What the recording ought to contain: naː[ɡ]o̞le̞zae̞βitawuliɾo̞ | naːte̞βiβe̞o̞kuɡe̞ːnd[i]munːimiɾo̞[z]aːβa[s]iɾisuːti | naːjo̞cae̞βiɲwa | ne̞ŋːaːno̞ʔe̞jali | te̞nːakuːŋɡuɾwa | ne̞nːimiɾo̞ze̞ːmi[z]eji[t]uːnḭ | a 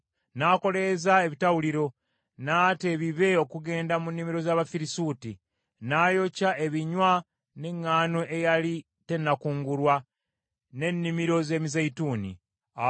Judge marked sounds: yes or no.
no, no, yes, no, yes, yes

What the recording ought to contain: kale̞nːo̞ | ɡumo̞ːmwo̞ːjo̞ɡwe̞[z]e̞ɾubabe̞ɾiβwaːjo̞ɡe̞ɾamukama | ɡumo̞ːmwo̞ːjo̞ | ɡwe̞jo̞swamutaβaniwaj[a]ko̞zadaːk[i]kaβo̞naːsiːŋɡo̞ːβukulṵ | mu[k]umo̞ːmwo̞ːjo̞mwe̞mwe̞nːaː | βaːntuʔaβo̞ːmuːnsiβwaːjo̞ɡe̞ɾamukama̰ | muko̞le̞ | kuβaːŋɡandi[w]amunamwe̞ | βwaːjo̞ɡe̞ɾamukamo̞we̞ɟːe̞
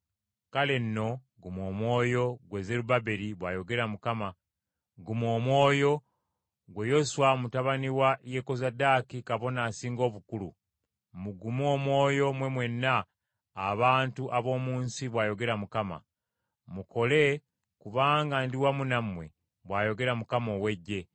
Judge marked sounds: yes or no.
yes, no, yes, no, yes

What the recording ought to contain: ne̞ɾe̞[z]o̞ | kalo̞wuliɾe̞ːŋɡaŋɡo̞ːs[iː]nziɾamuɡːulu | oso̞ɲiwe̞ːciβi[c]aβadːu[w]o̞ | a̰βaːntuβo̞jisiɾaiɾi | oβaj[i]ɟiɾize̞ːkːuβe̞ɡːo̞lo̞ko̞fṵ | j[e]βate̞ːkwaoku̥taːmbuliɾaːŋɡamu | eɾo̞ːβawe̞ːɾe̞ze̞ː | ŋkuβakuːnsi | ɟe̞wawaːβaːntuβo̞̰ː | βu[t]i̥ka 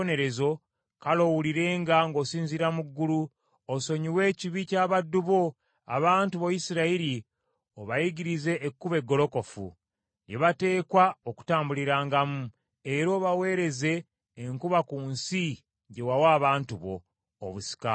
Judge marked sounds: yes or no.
yes, yes, yes, no, yes, yes, no

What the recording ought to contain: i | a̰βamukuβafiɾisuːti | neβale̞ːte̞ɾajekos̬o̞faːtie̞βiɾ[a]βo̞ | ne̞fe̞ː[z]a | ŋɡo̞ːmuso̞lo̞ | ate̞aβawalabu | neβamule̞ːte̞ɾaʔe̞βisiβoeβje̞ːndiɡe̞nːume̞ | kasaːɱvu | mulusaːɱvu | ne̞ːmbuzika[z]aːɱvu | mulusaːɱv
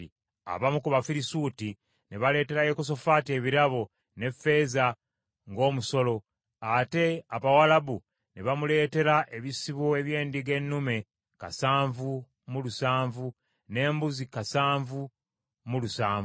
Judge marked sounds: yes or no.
yes, yes, no

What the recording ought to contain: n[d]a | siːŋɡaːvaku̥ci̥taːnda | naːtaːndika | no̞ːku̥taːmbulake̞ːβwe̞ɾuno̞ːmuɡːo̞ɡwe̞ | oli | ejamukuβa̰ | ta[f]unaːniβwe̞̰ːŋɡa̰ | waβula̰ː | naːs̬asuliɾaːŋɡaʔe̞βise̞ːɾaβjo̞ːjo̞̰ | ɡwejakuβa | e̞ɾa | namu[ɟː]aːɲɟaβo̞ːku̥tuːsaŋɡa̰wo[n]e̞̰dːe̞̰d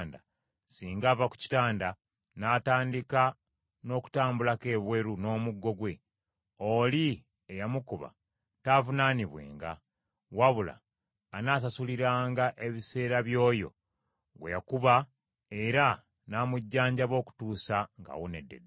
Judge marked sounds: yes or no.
yes, no, yes, yes

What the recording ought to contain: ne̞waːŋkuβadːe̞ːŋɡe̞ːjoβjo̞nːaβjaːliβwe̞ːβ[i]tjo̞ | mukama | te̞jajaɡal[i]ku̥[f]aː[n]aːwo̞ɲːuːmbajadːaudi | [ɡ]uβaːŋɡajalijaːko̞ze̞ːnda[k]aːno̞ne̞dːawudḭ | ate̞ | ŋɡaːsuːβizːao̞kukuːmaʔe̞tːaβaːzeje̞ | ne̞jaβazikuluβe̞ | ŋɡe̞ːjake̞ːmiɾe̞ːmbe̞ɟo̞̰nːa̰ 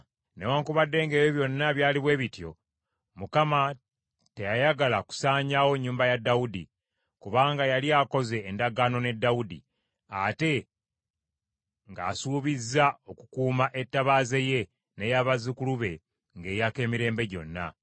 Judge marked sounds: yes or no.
yes, no, no, no, no, no

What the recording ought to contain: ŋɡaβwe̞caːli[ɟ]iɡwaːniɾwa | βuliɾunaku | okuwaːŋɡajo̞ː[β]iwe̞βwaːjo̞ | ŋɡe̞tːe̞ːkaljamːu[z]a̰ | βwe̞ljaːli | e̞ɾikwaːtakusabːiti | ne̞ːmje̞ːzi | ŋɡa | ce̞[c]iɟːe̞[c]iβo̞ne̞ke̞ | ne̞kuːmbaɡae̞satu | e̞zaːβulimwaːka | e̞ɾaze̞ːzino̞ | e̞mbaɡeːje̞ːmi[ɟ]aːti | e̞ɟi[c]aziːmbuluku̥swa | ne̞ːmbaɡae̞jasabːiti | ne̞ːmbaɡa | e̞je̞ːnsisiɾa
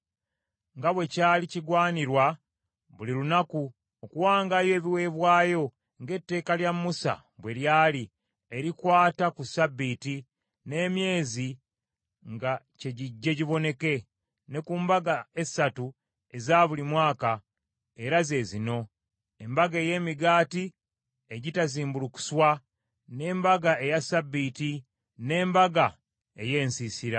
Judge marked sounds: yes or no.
no, yes, no, no, no, no, no

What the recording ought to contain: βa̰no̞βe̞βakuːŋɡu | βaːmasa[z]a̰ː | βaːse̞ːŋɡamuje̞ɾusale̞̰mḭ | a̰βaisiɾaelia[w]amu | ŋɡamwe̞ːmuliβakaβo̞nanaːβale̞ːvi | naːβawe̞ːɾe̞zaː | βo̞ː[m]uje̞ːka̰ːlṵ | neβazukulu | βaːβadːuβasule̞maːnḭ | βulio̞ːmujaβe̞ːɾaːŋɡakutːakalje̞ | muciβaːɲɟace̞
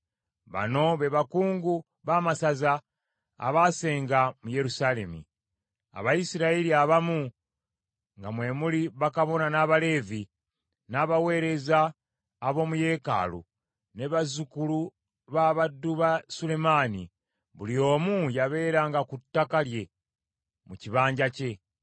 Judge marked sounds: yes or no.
yes, no, yes

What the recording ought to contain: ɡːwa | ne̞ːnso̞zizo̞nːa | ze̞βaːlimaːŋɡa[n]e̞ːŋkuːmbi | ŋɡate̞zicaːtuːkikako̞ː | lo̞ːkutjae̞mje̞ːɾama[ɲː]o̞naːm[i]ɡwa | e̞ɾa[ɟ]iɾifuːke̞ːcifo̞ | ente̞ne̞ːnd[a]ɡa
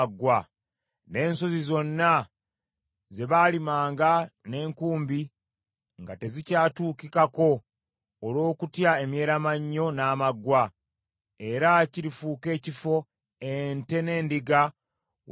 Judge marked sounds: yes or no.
yes, yes, no, no, no

